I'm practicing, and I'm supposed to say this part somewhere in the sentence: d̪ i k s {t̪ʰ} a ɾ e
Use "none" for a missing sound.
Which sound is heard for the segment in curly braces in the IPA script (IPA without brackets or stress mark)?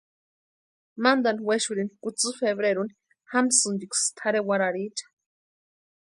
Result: t̪ʰ